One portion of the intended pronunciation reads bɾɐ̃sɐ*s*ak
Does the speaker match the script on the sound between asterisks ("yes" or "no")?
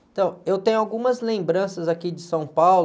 no